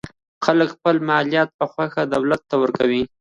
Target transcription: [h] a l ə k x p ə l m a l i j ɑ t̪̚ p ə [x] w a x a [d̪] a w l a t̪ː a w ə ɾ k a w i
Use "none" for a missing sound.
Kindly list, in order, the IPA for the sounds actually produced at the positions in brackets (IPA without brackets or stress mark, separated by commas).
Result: x, x, d̪